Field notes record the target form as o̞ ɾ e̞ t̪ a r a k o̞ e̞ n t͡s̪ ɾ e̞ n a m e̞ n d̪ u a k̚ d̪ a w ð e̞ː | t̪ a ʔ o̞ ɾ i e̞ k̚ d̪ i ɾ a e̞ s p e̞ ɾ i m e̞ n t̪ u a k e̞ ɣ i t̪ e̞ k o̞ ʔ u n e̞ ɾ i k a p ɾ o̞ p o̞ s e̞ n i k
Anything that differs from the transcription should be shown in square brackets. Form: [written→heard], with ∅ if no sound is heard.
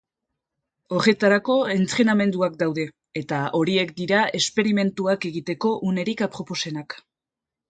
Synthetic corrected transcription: o̞ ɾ e̞ t̪ a [r→ɾ] a k o̞ e̞ n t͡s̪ ɾ e̞ n a m e̞ n d̪ u a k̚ d̪ a w ð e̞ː | t̪ a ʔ o̞ ɾ i e̞ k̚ d̪ i ɾ a e̞ s p e̞ ɾ i m e̞ n t̪ u a k e̞ ɣ i t̪ e̞ k o̞ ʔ u n e̞ ɾ i k a p ɾ o̞ p o̞ s e̞ n [i→a] k